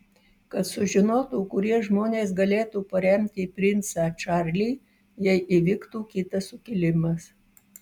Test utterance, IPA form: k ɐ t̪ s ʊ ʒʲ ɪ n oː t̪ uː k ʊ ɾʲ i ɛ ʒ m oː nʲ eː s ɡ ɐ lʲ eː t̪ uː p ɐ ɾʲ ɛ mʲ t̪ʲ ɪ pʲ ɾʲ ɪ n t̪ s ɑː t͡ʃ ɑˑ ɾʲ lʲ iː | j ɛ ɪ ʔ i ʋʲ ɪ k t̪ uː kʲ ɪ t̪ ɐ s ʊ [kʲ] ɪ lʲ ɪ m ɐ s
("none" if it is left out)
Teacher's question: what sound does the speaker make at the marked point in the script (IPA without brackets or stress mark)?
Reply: kʲ